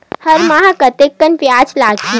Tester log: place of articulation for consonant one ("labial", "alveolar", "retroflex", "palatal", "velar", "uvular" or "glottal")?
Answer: glottal